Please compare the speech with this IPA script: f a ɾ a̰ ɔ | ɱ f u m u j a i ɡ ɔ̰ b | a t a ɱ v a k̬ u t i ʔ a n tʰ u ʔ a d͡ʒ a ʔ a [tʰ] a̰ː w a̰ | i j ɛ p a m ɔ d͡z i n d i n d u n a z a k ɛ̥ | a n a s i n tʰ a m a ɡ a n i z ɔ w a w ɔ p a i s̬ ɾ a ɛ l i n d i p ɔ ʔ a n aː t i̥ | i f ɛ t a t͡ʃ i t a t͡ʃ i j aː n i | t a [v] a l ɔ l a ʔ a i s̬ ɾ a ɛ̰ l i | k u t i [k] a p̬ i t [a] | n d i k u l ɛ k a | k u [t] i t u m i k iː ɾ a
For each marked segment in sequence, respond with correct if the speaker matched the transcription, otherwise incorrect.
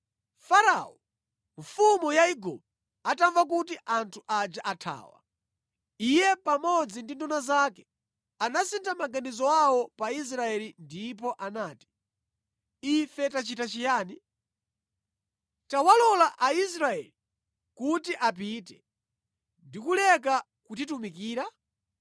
correct, incorrect, incorrect, incorrect, correct

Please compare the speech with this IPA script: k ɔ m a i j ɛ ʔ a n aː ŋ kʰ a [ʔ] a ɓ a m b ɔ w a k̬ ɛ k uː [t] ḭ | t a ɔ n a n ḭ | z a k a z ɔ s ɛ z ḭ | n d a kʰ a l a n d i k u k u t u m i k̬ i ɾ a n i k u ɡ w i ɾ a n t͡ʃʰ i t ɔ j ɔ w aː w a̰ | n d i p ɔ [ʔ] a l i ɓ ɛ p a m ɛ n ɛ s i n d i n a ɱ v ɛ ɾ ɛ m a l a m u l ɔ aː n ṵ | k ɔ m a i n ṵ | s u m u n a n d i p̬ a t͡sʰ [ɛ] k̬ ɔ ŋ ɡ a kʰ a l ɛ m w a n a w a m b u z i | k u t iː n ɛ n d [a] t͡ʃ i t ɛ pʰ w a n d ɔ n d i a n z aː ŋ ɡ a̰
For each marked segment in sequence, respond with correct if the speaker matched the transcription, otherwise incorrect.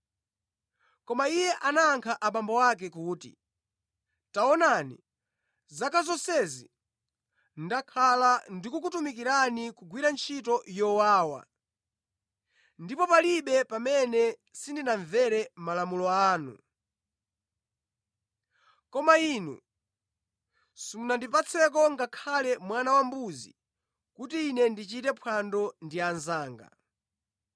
correct, correct, incorrect, correct, incorrect

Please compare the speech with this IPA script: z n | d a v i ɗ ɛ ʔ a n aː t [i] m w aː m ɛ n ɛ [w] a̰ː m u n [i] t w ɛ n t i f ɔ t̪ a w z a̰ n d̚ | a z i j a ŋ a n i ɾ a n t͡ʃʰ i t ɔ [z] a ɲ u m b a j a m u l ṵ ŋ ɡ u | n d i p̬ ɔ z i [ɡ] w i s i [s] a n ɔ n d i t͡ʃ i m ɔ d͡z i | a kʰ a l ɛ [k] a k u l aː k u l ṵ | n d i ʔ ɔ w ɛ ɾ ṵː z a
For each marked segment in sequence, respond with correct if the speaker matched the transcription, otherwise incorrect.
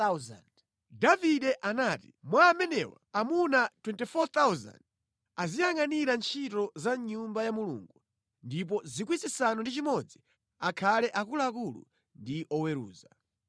correct, correct, incorrect, correct, incorrect, correct, incorrect

